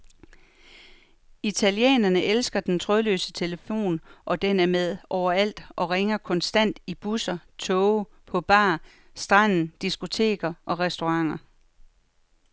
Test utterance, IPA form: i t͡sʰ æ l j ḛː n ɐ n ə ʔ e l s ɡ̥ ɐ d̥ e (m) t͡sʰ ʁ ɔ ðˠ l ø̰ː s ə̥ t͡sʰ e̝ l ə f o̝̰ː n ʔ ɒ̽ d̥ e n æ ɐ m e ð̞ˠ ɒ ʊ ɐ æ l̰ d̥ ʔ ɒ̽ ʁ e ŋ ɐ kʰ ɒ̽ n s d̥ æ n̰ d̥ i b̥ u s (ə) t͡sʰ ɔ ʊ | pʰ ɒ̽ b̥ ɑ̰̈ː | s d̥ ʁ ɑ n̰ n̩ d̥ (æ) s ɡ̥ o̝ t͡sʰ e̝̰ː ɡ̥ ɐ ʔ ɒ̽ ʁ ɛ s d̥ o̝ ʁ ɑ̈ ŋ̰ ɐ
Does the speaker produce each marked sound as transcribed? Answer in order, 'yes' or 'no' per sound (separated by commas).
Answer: no, no, no